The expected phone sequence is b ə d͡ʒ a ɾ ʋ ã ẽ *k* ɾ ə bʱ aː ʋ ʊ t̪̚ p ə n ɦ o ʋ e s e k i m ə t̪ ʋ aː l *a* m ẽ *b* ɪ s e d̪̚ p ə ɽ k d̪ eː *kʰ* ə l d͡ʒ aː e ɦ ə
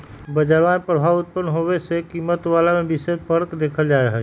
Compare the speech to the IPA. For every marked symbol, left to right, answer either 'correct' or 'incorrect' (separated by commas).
incorrect, correct, correct, correct